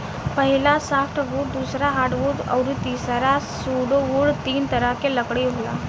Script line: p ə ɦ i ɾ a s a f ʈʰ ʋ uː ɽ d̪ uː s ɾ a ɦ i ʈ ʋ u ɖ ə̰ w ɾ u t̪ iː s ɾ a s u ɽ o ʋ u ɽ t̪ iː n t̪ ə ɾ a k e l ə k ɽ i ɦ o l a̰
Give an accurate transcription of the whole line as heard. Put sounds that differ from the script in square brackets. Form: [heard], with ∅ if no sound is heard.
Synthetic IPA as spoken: p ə ɦ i [l] a s a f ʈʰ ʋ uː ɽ d̪ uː s ɾ a ɦ [a] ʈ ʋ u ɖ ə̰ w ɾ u t̪ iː s ɾ a s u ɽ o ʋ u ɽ t̪ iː n t̪ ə ɾ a k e l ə k ɽ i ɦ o l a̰